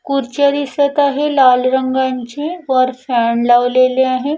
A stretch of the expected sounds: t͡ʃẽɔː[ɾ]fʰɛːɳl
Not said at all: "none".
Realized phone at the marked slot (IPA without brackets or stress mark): ɾ